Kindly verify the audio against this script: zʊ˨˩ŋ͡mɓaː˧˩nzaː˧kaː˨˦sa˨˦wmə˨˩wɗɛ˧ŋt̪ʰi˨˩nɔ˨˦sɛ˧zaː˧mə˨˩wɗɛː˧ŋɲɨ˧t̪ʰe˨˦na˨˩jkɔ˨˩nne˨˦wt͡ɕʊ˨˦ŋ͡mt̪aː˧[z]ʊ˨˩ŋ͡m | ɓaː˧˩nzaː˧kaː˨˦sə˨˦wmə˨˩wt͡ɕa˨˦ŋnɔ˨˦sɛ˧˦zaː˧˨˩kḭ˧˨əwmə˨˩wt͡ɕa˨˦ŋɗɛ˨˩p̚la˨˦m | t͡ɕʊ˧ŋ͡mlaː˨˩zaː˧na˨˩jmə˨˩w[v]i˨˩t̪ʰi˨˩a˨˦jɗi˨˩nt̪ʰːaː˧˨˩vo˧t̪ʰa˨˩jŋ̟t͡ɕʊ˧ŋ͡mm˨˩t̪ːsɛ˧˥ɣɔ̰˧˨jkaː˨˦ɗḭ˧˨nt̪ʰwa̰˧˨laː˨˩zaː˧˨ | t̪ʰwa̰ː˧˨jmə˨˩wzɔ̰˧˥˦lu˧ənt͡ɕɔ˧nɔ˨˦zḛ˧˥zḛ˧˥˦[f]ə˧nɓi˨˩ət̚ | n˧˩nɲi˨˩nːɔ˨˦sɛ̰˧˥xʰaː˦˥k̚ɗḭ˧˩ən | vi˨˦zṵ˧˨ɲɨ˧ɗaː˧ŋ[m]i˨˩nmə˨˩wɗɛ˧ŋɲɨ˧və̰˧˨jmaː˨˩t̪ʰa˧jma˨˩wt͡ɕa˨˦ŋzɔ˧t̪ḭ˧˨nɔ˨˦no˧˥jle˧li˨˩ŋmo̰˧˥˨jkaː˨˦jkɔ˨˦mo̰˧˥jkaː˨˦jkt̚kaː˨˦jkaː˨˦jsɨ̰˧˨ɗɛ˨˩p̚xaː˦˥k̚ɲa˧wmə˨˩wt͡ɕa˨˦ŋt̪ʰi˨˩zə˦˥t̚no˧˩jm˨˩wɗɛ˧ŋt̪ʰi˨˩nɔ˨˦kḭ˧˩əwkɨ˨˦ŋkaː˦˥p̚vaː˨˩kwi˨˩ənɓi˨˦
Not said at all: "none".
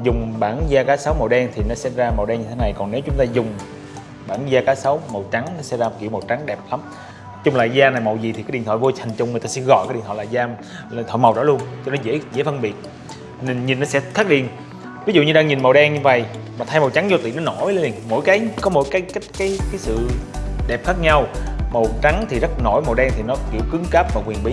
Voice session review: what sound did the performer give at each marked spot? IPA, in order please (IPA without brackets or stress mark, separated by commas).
z, z, f, ɲ